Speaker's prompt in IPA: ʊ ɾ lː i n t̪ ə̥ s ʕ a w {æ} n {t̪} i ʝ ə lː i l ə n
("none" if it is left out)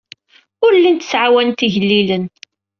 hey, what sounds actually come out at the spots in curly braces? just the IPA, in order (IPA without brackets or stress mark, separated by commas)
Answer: æ, t̪